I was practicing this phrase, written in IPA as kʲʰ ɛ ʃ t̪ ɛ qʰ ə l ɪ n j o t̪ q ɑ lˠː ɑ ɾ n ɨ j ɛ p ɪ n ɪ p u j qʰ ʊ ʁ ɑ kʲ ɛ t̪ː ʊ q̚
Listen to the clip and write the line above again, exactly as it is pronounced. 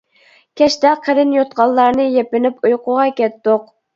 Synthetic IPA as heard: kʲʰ ɛ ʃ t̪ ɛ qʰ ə ɾ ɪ n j o t̪ q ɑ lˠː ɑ ɾ n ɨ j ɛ p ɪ n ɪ p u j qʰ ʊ ʁ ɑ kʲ ɛ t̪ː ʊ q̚